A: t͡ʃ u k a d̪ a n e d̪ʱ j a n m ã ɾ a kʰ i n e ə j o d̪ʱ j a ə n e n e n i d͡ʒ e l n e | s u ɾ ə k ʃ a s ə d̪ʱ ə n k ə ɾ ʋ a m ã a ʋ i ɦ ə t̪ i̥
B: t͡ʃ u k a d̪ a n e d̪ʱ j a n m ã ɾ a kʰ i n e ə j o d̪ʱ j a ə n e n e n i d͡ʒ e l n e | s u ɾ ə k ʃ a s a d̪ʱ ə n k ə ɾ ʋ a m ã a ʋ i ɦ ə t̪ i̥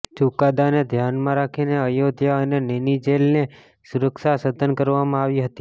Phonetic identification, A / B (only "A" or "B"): A